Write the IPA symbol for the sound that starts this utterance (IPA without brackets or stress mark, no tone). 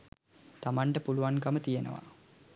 t̪